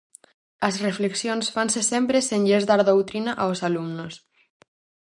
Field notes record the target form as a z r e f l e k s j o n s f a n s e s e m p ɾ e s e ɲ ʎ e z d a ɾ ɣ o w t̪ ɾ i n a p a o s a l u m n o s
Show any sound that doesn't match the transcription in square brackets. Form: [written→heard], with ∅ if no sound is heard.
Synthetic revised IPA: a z r e f l e k s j o n s f a n s e s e m p ɾ e s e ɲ ʎ e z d a ɾ [ɣ→ð] o w t̪ ɾ i n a [p→ʔ] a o s a l u m n o s